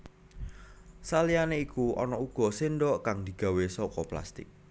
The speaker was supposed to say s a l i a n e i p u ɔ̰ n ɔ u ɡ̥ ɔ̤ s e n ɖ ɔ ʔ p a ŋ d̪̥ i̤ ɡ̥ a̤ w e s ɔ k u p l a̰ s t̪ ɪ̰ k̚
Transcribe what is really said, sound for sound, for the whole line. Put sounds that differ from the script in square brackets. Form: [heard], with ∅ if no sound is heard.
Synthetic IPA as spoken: s a l i a n e i [k] u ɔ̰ n ɔ u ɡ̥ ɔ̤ s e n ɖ ɔ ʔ [k] a ŋ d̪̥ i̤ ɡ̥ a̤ w e s ɔ k [ɔ] p l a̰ s t̪ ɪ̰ k̚